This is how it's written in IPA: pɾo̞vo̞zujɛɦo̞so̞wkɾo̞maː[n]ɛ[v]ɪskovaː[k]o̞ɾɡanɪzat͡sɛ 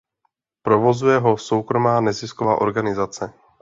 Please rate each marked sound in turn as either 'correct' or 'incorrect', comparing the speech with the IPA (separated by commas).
correct, incorrect, incorrect